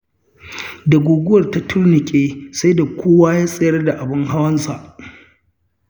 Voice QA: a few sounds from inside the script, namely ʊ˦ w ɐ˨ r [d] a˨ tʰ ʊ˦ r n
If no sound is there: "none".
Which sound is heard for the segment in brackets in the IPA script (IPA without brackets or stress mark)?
t